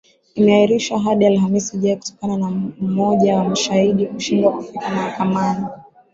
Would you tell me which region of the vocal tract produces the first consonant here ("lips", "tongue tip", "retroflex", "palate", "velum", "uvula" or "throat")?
lips